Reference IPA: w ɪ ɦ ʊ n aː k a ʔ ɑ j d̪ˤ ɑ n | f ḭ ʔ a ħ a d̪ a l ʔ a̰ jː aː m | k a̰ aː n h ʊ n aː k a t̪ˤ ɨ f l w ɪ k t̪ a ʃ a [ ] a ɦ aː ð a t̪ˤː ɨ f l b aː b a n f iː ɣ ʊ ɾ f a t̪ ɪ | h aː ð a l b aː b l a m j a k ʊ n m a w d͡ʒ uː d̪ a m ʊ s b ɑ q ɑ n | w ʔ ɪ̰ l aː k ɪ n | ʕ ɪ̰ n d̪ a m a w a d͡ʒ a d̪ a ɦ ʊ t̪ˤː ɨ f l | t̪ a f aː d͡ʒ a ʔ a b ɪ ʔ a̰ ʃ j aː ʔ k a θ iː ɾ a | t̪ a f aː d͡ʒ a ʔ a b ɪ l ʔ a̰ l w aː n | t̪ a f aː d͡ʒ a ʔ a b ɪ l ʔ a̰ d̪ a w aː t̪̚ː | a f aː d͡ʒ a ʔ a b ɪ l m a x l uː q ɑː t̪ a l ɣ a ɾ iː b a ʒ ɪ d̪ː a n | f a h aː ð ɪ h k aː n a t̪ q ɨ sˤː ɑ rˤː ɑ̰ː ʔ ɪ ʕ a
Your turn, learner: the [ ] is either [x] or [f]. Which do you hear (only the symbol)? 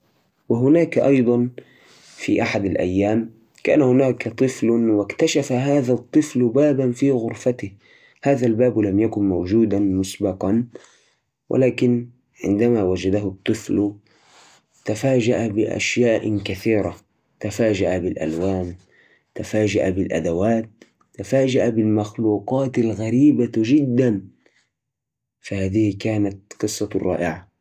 f